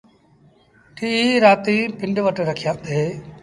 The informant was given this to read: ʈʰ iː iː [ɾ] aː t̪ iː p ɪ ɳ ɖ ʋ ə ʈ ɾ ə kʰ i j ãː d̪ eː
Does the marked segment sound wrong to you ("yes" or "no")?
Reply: no